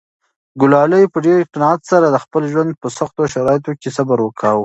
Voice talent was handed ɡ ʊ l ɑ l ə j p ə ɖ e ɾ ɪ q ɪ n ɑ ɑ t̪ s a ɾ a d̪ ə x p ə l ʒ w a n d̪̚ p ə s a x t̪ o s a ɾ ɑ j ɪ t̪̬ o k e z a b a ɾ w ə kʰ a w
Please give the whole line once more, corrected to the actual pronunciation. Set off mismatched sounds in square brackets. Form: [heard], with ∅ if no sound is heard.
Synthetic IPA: ɡ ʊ l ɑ l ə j p ə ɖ e ɾ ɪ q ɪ n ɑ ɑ t̪ s a ɾ a d̪ ə x p ə l ʒ w a n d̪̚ p ə s a x t̪ o [ʃ] a ɾ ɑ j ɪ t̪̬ o k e [s] a b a ɾ w ə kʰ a w